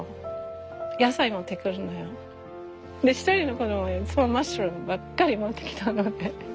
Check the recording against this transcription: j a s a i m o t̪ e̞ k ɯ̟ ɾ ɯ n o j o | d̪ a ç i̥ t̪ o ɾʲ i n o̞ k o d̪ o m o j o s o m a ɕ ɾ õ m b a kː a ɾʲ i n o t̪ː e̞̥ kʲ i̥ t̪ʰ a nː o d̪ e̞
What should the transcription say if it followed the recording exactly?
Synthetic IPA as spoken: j a s a i m o t̪ e̞ k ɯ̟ ɾ ɯ n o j o | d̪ e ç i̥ t̪ o ɾʲ i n o̞ k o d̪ o m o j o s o m a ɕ ɾ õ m b a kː a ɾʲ i m o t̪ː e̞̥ kʲ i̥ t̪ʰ a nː o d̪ e̞